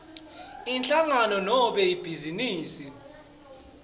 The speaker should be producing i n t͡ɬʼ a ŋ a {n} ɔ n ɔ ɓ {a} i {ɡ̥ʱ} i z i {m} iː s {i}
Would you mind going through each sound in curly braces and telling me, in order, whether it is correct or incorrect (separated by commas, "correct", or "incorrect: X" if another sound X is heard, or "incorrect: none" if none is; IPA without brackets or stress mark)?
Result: correct, incorrect: ɛ, incorrect: b̥ʱ, incorrect: n, correct